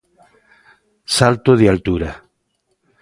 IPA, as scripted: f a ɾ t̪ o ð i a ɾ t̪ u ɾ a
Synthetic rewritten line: s a l t̪ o ð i a l t̪ u ɾ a

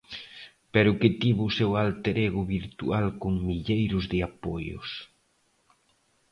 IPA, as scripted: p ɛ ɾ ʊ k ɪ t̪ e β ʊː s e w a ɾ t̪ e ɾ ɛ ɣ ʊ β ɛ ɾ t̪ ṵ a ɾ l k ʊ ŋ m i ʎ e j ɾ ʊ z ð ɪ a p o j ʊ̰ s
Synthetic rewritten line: p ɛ ɾ ʊ k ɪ t̪ i β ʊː s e w a l t̪ e ɾ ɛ ɣ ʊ β i ɾ t̪ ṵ a l k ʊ ŋ m i ʎ e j ɾ ʊ z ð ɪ a p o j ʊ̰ s

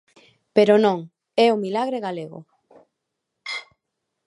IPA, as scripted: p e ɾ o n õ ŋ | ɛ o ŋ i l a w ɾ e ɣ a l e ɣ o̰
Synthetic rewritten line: p e ɾ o n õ ŋ | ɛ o m i l a ɣ ɾ e ɣ a l e ɣ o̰

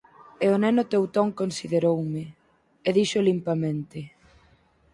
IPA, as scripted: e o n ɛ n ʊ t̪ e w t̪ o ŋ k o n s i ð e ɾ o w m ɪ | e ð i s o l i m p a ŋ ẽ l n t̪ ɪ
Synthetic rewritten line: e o n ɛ n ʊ t̪ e w t̪ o ŋ k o n s i ð e ɾ o w m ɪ | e ð i ʃ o l i m p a m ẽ n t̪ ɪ

